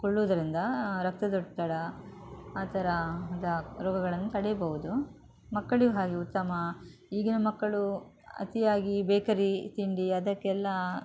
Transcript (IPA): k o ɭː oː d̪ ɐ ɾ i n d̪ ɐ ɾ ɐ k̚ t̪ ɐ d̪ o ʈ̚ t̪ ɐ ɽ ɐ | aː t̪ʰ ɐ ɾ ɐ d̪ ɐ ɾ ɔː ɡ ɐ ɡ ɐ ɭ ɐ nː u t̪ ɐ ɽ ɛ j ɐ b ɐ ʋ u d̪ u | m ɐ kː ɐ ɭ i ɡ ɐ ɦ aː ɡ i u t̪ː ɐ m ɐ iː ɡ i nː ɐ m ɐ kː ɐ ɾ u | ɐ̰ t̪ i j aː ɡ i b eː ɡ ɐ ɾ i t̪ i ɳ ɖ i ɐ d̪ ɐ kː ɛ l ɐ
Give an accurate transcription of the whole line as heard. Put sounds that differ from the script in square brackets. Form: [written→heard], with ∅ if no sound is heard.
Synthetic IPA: k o ɭː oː d̪ ɐ ɾ i n d̪ ɐ ɾ ɐ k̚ t̪ ɐ d̪ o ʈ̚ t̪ ɐ ɽ ɐ | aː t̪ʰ ɐ ɾ ɐ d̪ ɐ ɾ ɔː ɡ ɐ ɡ ɐ ɭ ɐ nː u t̪ ɐ ɽ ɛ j ɐ b ɐ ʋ u d̪ u | m ɐ kː ɐ ɭ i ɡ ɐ ɦ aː ɡ i u t̪ː ɐ m ɐ iː ɡ i [nː→n] ɐ m ɐ kː ɐ [ɾ→ɭ] u | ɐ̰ t̪ i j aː ɡ i b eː [ɡ→k] ɐ ɾ i t̪ i ɳ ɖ i ɐ d̪ ɐ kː ɛ [l→lː] ɐ